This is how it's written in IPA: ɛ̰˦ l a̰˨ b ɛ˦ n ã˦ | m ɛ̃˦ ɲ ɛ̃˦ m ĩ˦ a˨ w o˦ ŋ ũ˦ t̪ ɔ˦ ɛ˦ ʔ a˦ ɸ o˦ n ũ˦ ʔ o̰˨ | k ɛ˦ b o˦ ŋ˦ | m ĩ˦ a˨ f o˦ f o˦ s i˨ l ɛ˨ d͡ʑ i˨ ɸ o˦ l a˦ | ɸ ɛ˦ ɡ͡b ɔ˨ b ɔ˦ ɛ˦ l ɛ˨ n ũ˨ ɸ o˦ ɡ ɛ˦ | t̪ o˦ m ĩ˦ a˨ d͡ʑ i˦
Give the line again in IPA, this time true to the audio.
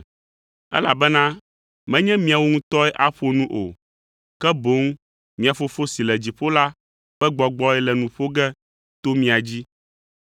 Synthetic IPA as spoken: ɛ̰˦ l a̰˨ b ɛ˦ n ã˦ | m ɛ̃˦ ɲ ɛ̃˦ m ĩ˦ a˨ w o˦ ŋ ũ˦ t̪ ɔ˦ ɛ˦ ʔ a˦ ɸ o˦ n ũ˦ ʔ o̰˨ | k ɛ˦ b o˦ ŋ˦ | m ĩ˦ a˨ f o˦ f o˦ s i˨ l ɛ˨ d͡ʑ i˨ ɸ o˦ l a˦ | ɸ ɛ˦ ɡ͡b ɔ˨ ɡ͡b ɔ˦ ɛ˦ l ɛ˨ n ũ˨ ɸ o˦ ɡ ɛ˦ | t̪ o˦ m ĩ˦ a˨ d͡ʑ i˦

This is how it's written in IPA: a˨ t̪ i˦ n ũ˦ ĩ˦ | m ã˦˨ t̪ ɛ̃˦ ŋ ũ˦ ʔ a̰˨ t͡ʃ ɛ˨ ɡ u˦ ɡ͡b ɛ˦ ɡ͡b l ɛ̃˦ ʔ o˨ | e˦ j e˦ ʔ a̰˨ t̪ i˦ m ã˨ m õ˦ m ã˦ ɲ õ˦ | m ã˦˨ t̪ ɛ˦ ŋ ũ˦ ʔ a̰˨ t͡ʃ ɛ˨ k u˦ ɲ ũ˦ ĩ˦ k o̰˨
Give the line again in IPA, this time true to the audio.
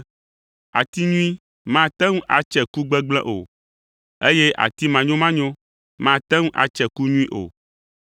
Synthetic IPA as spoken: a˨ t̪ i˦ ɲ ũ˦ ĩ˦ | m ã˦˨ t̪ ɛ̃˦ ŋ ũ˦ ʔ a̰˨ t͡ʃ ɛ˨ k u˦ ɡ͡b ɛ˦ ɡ͡b l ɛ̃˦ ʔ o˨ | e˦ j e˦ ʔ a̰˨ t̪ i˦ m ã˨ ɲ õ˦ m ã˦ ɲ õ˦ | m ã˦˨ t̪ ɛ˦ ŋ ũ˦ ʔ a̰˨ t͡ʃ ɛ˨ k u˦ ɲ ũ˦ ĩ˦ ʔ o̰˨

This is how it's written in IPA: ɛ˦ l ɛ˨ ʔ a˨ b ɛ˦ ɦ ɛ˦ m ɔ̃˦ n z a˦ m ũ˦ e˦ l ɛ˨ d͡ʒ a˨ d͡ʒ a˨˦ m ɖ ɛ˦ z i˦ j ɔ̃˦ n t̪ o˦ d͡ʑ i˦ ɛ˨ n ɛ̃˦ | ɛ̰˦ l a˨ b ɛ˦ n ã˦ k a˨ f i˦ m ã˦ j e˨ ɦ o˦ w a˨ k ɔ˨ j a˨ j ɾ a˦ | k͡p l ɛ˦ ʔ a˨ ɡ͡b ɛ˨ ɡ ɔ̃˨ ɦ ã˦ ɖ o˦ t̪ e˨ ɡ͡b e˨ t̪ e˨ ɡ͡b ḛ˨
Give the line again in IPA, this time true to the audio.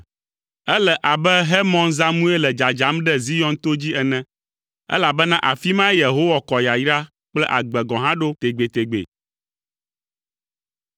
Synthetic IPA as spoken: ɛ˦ l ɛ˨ ʔ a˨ b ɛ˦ ɦ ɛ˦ m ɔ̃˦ n z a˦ m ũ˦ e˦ l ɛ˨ d͡ʒ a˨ d͡ʒ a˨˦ m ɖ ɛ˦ z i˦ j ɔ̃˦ n t̪ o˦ d͡ʑ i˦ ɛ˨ n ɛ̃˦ | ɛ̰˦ l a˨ b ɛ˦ n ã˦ ʔ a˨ f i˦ m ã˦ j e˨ ɦ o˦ w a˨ k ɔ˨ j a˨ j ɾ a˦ | k͡p l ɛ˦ ʔ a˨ ɡ͡b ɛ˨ ɡ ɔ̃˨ ɦ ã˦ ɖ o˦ t̪ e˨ ɡ͡b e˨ t̪ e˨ ɡ͡b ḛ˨

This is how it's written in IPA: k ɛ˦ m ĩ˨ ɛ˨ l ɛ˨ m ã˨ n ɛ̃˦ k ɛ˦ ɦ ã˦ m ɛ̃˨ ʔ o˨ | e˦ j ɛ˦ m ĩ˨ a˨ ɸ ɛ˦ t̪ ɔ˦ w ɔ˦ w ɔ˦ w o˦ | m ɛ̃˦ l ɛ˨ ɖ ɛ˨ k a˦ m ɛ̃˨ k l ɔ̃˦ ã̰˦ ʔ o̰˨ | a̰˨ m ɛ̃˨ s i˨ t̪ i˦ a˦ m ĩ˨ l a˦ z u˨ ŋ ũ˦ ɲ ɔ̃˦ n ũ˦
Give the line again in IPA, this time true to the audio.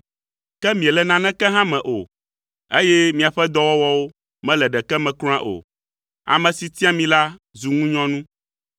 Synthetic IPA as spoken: k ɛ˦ m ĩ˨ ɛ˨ l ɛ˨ n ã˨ n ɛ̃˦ k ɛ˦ ɦ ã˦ m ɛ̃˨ ʔ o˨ | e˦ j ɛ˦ m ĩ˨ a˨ ɸ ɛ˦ d̪ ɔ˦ w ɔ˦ w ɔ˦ w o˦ | m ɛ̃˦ l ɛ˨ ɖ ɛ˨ k ɛ˦ m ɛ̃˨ k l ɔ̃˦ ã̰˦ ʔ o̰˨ | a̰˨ m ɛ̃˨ s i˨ t̪ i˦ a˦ m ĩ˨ l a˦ z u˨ ŋ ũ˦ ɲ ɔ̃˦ n ũ˦

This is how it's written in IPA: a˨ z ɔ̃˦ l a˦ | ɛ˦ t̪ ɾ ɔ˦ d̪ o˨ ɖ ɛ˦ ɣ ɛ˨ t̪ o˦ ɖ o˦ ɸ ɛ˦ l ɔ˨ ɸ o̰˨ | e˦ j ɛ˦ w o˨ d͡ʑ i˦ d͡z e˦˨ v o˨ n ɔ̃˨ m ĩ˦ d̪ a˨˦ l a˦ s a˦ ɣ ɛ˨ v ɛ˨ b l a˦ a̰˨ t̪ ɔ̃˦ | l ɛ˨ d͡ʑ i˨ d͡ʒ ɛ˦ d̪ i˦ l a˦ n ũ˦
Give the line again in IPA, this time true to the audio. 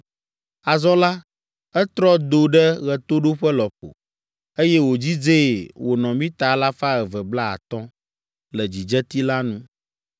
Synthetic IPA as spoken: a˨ z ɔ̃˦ l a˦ | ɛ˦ t̪ ɾ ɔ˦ d̪ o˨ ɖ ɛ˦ ɣ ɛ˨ t̪ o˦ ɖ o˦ ɸ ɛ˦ l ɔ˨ ɸ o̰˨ | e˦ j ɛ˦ w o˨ d͡ʑ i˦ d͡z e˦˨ w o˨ n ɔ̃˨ m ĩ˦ t̪ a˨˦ l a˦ f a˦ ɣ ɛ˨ v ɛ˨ b l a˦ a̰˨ t̪ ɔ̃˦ | l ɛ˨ d͡ʑ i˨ d͡ʒ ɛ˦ t̪ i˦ l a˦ n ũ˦

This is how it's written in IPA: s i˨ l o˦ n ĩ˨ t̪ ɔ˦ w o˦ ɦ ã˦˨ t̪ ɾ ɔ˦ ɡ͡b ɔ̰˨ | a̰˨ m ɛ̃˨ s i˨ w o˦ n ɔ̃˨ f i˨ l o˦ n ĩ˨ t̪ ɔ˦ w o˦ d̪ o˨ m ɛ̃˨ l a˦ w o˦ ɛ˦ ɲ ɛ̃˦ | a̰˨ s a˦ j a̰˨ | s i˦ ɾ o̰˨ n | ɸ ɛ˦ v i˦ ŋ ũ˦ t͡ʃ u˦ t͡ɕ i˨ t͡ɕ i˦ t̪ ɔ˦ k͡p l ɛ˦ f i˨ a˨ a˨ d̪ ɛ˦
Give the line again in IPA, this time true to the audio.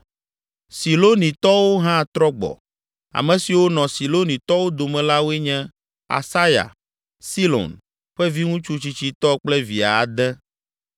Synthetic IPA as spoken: s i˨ l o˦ n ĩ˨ t̪ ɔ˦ w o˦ ɦ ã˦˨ t̪ ɾ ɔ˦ ɡ͡b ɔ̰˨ | a̰˨ m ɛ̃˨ s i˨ w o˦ n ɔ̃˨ s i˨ l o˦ n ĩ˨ t̪ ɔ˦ w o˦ d̪ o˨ m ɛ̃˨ l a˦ w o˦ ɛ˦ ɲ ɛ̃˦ | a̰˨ s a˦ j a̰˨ | s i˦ l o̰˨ n | ɸ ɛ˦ v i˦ ŋ ũ˦ t͡ʃ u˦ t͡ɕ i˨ t͡ɕ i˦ t̪ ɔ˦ k͡p l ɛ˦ v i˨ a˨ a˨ d̪ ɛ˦

